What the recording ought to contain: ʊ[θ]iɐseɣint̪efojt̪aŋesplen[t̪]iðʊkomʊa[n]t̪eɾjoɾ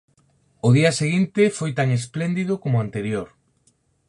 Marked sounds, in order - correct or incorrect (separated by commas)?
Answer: incorrect, incorrect, correct